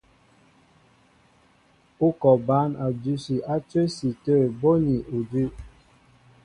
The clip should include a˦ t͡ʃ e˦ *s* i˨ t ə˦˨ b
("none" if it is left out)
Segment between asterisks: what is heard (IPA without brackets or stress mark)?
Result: s